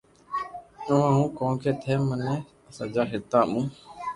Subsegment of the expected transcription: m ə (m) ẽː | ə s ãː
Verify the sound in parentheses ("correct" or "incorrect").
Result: incorrect